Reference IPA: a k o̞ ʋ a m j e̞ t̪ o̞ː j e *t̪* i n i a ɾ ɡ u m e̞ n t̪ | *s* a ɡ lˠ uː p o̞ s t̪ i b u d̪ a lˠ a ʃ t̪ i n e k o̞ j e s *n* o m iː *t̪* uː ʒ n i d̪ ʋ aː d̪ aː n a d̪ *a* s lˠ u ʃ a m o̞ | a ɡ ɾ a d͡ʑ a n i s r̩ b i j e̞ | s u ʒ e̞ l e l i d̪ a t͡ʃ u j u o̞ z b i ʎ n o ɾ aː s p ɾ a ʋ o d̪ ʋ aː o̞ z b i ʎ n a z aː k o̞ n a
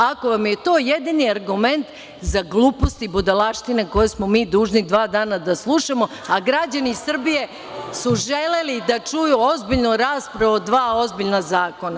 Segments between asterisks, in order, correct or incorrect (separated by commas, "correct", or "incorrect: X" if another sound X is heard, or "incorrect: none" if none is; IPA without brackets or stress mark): incorrect: d̪, incorrect: z, incorrect: m, incorrect: d̪, correct